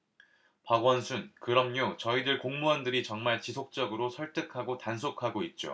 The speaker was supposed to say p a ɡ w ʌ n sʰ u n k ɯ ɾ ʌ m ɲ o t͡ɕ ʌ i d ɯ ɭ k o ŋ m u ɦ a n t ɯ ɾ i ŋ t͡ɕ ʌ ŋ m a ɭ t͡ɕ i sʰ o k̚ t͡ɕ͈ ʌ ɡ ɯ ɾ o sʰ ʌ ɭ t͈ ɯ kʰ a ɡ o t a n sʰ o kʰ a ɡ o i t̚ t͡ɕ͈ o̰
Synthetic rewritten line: p a ɡ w ʌ n sʰ u n k ɯ ɾ ʌ m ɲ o t͡ɕ ʌ i d ɯ ɭ k o ŋ m u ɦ a n d ɯ ɾ i t͡ɕ ʌ ŋ m a ɭ t͡ɕ i sʰ o k̚ t͡ɕ͈ ʌ ɡ ɯ ɾ o sʰ ʌ ɭ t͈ ɯ kʰ a ɡ o t a n sʰ o kʰ a ɡ o i t̚ t͡ɕ͈ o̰